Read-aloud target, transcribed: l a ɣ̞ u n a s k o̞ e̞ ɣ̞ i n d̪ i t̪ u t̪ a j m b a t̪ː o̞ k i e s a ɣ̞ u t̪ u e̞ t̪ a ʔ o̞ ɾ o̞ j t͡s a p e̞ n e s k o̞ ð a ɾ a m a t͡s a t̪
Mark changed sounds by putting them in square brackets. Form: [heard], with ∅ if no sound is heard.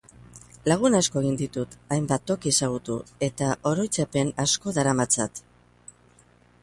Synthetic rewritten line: l a ɣ̞ u n a s k o̞ e̞ ɣ̞ i n d̪ i t̪ u t̪ a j m b a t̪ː o̞ k i e s a ɣ̞ u t̪ u e̞ t̪ a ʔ o̞ ɾ o̞ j t͡s a p e̞ n [a] s k o̞ ð a ɾ a m a t͡s a t̪